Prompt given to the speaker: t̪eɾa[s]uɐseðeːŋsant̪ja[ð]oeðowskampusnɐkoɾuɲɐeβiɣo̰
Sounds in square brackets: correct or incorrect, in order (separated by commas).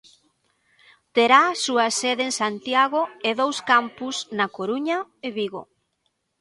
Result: correct, incorrect